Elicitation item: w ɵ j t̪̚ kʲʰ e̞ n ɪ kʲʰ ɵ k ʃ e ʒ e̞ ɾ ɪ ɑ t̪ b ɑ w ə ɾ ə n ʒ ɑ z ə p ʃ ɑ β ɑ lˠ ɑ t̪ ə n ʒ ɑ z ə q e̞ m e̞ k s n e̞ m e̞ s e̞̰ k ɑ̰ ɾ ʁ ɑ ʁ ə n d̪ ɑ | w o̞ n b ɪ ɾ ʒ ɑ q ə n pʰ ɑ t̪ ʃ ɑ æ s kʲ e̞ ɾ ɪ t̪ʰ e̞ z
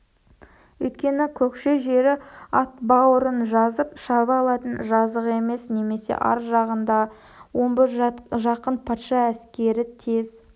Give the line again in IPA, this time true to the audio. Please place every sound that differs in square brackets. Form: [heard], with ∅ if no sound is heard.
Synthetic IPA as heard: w ɵ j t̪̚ [kʲ] e̞ n ɪ kʲʰ ɵ k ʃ e ʒ e̞ ɾ ɪ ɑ t̪ b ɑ w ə ɾ ə n ʒ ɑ z ə p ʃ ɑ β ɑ lˠ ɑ t̪ ə n ʒ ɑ z ə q e̞ m e̞ [∅] s n e̞ m e̞ s e̞̰ [ʔ] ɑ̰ ɾ [ʒ] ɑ ʁ ə n d̪ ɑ | w o̞ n b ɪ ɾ ʒ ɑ q ə n pʰ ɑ t̪ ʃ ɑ æ s kʲ e̞ ɾ ɪ t̪ʰ e̞ z